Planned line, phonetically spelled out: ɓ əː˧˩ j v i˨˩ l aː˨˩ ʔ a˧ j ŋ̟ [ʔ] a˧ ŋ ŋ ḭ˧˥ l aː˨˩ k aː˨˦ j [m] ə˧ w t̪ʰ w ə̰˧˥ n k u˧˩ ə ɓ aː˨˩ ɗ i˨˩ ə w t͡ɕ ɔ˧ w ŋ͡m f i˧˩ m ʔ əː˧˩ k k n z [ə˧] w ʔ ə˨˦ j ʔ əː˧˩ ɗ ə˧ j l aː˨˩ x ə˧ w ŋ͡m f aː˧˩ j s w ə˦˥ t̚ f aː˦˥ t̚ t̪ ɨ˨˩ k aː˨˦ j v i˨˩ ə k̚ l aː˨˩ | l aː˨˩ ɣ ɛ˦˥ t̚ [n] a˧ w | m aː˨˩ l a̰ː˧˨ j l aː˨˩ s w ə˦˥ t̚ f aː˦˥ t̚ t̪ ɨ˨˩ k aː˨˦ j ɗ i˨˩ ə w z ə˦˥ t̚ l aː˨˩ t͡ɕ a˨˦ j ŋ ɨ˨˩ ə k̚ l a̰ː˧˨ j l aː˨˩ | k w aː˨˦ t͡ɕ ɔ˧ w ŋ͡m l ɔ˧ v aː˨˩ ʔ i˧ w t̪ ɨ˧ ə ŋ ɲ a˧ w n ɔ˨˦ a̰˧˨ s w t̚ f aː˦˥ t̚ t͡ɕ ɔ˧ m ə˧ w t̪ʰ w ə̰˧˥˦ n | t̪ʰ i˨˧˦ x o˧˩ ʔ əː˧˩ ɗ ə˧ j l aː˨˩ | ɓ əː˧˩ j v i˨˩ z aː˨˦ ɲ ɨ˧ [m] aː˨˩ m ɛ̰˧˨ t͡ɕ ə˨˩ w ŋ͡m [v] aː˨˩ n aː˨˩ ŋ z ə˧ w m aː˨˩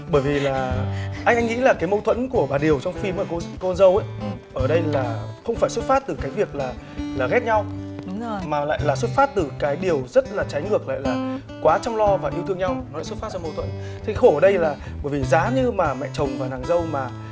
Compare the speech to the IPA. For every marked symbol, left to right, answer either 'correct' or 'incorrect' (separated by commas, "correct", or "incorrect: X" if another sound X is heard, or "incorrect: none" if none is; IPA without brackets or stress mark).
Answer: correct, correct, correct, incorrect: ɲ, correct, correct